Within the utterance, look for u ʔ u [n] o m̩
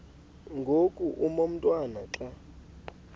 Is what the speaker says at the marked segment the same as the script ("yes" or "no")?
no